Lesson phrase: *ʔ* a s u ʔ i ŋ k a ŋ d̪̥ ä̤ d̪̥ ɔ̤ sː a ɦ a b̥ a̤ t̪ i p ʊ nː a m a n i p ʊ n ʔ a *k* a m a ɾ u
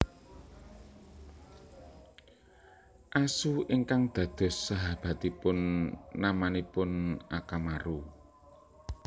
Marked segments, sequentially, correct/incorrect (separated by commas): correct, correct